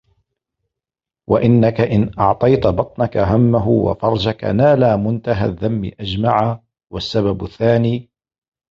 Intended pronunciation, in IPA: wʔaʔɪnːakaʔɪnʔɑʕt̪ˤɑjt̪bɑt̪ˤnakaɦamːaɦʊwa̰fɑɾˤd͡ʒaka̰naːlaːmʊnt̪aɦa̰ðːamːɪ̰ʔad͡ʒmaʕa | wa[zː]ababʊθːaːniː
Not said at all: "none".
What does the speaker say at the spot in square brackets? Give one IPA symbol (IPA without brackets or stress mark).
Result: sː